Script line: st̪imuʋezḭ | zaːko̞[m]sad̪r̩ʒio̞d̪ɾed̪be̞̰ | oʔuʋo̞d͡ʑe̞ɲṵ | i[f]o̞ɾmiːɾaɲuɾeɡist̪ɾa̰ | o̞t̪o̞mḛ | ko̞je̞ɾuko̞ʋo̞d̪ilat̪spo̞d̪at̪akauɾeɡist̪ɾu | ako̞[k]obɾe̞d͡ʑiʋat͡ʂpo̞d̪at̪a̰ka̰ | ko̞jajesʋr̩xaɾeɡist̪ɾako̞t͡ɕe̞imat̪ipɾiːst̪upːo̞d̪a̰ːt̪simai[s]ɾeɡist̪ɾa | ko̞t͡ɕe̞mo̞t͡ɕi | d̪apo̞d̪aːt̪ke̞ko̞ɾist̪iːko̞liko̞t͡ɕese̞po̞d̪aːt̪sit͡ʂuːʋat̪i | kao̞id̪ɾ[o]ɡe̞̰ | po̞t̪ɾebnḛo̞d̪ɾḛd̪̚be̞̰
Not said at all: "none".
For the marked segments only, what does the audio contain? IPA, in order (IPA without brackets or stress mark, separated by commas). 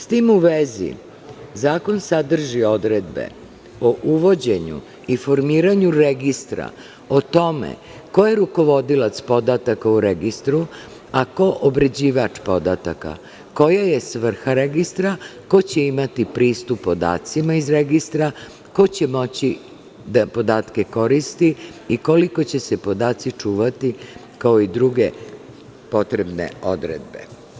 n, f, ʔ, z, u